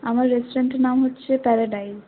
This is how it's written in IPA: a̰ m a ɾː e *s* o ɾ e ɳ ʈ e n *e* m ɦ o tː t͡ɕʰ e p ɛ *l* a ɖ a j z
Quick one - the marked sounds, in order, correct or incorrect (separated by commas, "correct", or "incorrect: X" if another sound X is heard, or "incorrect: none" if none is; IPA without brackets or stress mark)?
correct, incorrect: a, incorrect: ɾ